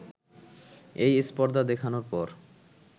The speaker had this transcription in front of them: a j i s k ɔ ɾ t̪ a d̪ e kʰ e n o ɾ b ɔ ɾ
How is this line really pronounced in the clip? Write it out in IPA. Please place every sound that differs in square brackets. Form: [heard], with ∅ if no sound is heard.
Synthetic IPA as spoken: [e] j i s [p] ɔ ɾ [d̪] a d̪ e kʰ [a] n o ɾ [p] ɔ ɾ